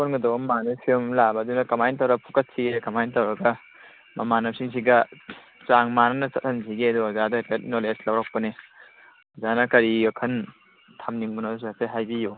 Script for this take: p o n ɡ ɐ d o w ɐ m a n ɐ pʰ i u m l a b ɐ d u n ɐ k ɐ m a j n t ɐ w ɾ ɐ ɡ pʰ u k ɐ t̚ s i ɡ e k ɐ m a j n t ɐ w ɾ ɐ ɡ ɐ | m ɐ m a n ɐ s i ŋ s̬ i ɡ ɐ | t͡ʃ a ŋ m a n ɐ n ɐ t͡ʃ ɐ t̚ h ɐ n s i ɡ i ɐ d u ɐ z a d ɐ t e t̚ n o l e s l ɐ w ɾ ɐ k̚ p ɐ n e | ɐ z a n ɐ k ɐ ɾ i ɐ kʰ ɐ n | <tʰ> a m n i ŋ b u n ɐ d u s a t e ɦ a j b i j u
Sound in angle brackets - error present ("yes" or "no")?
no